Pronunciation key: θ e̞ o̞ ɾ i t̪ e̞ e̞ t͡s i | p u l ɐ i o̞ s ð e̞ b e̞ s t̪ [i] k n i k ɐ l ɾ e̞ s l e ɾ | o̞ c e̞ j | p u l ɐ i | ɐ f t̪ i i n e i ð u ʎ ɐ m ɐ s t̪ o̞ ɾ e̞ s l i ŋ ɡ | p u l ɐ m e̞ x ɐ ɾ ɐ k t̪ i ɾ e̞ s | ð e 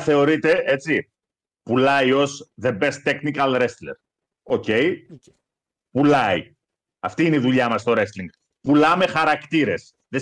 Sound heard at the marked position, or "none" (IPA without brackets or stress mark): e